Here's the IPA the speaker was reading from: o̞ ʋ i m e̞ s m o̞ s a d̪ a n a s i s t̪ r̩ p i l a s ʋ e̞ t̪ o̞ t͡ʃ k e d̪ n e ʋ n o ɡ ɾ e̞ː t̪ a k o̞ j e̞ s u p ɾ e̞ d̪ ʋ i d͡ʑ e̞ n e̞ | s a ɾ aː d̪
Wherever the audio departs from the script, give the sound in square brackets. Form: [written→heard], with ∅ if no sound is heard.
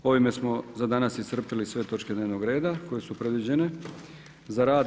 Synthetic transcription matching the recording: o̞ ʋ i m e̞ s m o̞ [s→z] a d̪ a n a s i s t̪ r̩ p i l [a→i] s ʋ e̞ t̪ o̞ t͡ʃ k e d̪ n e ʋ n o ɡ ɾ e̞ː [t̪→d̪] a k o̞ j e̞ s u p ɾ e̞ d̪ ʋ i d͡ʑ e̞ n e̞ | [s→z] a ɾ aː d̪